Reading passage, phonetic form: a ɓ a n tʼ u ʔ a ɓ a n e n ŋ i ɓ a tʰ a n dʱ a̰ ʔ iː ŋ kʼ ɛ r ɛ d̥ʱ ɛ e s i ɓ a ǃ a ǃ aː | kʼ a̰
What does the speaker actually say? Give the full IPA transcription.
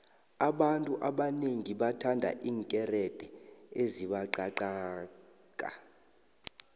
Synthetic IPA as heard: a ɓ a n tʼ u ʔ a ɓ a n e ŋ i ɓ a tʰ a n dʱ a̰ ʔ iː ŋ kʼ ɛ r ɛ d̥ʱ ɛ e z i ɓ a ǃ a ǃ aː | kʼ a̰